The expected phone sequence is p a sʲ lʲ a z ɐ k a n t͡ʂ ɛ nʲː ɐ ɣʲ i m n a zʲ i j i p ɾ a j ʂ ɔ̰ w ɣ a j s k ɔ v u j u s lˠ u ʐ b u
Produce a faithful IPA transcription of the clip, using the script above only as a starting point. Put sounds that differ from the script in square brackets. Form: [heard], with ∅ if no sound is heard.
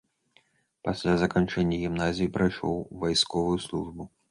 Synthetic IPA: p a sʲ lʲ a z ɐ k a n t͡ʂ ɛ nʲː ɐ ɣʲ i m n a zʲ i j i p ɾ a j ʂ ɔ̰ w [v] a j s k ɔ v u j u s lˠ u ʐ b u